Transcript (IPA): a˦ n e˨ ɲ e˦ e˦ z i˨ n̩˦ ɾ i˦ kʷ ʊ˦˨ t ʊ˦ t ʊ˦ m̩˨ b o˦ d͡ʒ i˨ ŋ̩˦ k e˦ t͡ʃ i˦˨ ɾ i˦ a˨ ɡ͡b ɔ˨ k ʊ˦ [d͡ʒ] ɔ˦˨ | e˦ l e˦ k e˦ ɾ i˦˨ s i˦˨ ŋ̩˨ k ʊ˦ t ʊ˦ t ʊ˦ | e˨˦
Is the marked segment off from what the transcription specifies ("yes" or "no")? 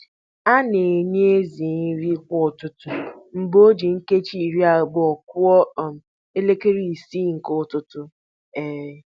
yes